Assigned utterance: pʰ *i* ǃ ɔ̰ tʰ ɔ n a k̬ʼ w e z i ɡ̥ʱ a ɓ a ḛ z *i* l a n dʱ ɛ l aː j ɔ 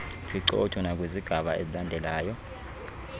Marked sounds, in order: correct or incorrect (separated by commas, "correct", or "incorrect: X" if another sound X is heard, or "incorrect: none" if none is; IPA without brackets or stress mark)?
correct, correct